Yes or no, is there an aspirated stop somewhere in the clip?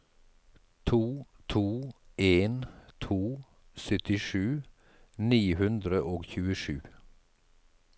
yes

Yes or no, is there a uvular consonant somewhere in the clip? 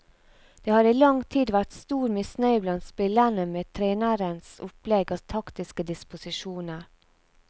no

